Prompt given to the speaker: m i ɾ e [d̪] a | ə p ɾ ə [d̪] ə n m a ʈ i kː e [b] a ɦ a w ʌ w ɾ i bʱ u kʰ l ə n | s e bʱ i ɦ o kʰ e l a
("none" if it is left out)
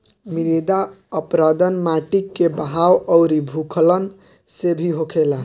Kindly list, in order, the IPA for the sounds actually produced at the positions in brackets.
d̪, d̪, b

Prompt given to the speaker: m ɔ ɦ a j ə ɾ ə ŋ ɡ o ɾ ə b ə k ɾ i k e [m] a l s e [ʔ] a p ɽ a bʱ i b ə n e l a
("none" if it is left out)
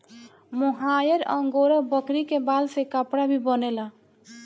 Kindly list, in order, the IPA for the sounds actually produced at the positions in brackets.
b, k

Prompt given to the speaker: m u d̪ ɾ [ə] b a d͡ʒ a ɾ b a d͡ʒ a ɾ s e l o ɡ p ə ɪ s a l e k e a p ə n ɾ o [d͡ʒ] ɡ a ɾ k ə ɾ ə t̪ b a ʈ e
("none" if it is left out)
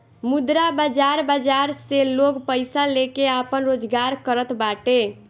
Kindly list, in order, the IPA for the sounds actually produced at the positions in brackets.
a, d͡ʒ

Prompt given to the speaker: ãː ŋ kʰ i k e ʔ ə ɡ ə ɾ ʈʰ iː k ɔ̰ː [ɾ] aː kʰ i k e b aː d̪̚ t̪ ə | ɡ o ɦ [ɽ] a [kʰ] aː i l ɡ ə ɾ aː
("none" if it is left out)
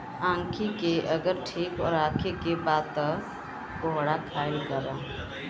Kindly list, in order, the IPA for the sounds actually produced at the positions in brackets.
ɾ, ɽ, kʰ

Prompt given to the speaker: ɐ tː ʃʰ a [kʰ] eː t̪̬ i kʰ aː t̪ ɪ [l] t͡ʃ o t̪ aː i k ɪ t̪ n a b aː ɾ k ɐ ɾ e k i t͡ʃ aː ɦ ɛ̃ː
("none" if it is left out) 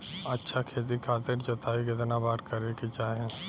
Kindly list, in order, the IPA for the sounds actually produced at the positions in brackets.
kʰ, ɾ

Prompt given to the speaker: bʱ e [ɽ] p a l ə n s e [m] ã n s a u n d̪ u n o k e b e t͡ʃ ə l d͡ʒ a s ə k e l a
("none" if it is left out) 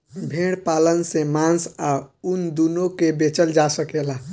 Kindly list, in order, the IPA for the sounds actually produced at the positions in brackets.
ɽ, m

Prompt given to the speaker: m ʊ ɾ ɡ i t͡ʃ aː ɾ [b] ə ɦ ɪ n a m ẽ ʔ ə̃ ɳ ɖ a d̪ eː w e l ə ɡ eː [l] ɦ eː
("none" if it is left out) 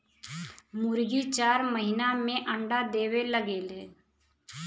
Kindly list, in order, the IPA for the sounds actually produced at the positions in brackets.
m, l

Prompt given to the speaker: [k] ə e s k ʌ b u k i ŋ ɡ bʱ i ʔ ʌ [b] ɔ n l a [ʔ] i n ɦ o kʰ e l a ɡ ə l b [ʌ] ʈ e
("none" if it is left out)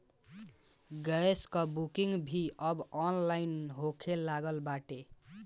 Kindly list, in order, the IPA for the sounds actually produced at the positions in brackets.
ɡ, b, none, a

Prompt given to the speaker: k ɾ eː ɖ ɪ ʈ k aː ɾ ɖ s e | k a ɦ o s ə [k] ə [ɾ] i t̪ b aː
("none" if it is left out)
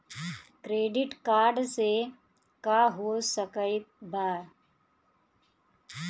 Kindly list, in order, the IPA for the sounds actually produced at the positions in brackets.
k, none

